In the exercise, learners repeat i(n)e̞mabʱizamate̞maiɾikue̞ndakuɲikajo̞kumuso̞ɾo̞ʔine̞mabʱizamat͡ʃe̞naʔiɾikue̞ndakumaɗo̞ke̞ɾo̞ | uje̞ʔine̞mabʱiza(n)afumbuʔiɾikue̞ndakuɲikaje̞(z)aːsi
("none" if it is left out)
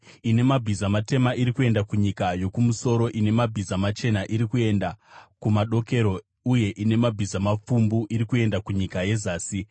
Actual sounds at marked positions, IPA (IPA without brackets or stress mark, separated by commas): n, m, z